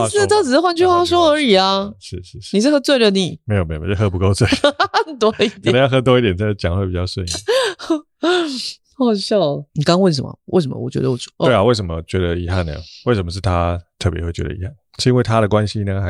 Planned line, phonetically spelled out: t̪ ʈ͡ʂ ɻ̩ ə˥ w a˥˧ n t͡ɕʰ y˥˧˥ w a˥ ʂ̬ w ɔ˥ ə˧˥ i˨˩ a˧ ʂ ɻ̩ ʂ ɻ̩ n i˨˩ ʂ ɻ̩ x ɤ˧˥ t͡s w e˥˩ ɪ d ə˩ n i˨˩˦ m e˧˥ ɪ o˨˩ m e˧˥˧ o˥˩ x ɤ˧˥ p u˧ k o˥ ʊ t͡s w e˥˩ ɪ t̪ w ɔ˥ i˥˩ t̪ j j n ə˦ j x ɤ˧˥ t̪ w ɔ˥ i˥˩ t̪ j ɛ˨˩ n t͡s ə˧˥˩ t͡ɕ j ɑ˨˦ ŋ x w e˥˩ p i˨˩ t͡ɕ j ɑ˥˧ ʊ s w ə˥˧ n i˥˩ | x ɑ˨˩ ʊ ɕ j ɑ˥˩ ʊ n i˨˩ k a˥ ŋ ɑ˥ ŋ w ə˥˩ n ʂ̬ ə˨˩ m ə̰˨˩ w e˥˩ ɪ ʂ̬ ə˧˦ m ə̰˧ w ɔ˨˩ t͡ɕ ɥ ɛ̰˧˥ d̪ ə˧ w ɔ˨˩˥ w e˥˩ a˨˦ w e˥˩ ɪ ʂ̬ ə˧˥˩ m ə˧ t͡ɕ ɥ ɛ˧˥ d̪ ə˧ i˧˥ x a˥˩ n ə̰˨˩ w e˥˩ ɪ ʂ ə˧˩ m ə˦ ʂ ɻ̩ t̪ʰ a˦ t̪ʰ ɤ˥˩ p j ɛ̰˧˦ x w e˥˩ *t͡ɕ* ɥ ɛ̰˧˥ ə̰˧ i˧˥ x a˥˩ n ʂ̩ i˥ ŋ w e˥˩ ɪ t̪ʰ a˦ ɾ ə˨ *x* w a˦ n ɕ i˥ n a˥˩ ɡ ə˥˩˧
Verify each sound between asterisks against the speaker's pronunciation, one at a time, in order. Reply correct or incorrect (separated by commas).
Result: correct, incorrect